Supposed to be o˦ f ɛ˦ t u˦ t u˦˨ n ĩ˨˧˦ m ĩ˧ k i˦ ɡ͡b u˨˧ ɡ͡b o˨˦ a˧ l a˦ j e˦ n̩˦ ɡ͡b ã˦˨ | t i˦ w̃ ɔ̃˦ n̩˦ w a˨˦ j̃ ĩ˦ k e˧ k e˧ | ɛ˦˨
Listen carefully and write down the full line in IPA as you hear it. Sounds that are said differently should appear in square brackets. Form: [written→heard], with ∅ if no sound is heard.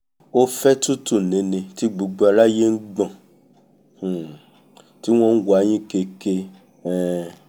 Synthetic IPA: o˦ f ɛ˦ t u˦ t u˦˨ n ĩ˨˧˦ [m→n] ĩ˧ [k→t] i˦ ɡ͡b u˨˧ ɡ͡b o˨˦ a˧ l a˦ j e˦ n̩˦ ɡ͡b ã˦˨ | t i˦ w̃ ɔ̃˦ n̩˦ w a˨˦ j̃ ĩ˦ k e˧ k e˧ | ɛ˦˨